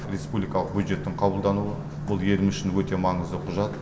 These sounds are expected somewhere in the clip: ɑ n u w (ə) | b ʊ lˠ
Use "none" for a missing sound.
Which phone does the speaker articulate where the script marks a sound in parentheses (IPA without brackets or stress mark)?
ə